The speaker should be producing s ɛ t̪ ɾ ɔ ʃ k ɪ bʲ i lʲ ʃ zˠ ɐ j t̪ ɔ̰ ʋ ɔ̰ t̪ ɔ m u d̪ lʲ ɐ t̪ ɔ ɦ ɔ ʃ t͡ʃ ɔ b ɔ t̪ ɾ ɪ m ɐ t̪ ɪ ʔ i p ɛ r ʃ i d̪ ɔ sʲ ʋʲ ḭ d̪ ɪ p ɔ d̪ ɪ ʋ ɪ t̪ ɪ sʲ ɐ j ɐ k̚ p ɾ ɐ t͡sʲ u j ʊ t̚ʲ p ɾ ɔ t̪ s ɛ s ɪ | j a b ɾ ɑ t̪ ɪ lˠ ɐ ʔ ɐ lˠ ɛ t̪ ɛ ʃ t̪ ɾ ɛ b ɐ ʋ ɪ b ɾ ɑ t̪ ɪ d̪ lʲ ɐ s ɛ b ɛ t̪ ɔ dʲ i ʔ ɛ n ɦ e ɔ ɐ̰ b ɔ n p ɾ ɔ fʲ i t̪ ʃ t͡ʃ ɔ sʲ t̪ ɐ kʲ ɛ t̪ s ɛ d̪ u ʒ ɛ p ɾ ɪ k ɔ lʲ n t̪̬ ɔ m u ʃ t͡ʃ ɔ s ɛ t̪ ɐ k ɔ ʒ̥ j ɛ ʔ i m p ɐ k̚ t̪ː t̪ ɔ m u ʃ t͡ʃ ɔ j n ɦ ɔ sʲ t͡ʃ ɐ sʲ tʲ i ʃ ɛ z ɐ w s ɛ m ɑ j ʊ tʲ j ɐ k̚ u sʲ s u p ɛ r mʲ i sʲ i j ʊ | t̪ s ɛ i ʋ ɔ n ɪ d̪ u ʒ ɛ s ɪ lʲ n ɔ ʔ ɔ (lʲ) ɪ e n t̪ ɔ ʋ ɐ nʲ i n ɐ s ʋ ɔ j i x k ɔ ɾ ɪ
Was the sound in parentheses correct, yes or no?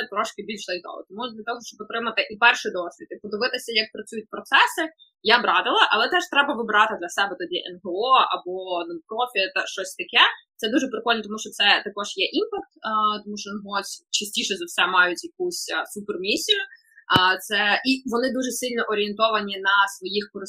no